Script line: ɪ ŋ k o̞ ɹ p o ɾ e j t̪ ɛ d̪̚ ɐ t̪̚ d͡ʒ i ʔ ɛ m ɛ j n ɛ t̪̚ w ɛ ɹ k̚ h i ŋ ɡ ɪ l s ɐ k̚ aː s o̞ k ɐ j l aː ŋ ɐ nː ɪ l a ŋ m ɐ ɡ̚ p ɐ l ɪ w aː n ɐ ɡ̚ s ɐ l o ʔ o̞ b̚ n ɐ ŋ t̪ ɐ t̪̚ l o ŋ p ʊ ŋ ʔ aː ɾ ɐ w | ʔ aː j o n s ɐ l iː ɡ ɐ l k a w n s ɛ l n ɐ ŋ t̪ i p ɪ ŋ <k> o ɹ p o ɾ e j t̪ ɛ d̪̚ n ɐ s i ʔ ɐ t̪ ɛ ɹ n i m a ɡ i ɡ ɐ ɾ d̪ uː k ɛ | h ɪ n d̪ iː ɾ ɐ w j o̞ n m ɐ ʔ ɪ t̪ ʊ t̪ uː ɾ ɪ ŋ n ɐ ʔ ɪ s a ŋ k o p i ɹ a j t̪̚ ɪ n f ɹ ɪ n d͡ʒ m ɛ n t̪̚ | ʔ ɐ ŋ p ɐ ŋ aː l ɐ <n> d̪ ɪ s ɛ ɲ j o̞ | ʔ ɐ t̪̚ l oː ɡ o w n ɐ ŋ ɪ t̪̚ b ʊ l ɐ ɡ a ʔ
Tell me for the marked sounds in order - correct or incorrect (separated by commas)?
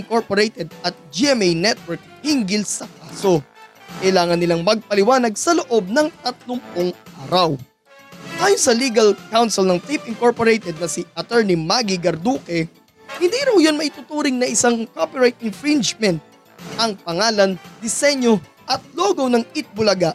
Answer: correct, correct